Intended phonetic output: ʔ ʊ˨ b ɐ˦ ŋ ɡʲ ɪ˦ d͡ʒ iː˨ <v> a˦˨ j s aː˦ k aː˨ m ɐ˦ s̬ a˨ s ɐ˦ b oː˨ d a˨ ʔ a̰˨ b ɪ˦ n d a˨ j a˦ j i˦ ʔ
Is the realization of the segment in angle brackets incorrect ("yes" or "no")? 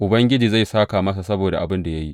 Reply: yes